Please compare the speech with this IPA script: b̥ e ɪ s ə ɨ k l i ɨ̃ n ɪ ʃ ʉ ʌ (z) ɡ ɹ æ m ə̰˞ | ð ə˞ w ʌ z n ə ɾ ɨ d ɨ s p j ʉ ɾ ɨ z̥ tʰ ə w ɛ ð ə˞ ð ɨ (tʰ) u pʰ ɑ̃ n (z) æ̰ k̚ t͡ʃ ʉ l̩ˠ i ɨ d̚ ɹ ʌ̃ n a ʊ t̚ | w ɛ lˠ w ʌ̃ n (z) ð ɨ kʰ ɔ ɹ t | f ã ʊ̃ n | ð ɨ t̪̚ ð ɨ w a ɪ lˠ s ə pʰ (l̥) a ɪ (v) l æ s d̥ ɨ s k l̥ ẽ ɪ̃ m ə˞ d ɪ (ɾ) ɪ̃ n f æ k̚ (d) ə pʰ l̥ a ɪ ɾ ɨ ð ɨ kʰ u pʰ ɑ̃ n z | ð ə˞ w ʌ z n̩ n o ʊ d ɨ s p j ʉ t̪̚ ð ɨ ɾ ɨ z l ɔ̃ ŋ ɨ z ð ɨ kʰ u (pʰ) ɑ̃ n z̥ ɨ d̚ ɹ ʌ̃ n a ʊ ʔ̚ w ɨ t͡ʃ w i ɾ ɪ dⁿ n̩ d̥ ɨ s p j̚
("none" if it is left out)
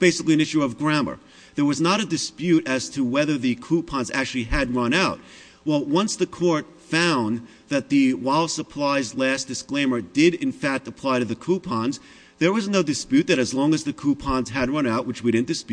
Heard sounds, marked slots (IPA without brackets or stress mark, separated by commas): v, kʰ, z, s, l̥, z, ɾ, t, pʰ